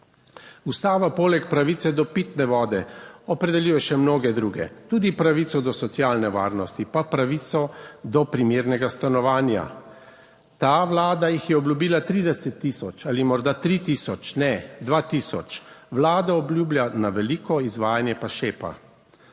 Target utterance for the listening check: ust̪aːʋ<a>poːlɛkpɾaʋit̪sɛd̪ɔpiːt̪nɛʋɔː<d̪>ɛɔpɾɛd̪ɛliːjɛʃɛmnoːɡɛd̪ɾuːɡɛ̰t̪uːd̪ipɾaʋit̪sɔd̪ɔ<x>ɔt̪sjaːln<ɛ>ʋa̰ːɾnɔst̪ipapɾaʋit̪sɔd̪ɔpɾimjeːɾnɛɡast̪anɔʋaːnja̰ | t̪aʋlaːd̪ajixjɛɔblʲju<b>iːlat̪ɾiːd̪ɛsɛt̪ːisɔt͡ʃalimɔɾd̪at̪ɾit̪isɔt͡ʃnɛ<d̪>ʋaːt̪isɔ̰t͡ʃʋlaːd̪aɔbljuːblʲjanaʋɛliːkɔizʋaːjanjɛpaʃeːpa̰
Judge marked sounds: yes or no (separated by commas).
yes, yes, no, yes, yes, yes